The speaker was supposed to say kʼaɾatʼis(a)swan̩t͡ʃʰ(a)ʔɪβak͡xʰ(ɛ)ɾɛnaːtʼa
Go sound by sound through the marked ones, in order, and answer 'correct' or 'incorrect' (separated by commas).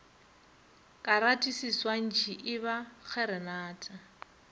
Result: incorrect, incorrect, correct